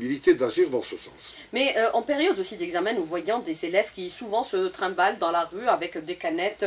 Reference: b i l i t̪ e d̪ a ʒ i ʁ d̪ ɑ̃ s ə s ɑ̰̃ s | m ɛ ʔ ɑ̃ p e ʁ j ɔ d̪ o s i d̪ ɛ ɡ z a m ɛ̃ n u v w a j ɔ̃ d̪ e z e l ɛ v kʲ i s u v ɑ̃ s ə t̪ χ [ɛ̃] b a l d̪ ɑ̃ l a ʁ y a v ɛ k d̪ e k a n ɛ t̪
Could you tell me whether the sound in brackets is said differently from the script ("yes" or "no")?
no